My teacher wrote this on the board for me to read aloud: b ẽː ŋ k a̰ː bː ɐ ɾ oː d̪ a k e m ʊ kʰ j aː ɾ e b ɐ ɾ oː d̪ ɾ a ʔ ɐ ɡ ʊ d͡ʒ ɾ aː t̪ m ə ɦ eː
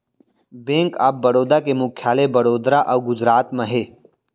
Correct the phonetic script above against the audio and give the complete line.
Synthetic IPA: b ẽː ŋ k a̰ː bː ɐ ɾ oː d̪ a k e m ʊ kʰ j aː l e b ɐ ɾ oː d̪ ɾ a ʔ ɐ ɡ ʊ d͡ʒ ɾ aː t̪ m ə ɦ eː